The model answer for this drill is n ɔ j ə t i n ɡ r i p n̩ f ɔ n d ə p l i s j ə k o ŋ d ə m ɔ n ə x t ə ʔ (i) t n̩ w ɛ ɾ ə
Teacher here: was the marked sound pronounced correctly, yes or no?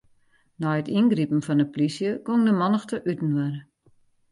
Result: no